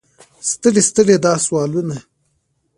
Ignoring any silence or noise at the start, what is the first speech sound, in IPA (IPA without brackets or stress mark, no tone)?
s